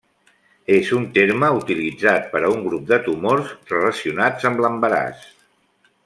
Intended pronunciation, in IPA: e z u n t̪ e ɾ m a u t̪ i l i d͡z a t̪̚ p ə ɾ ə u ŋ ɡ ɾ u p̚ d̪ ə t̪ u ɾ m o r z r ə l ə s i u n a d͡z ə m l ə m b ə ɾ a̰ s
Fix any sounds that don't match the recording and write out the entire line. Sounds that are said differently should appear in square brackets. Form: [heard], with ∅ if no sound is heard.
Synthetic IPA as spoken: e z u n t̪ e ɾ m [ə] u t̪ i l i d͡z a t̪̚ p ə ɾ ə u ŋ ɡ ɾ u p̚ d̪ ə t̪ u [∅] m o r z r ə l ə s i u n a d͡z ə m l ə m b ə ɾ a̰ s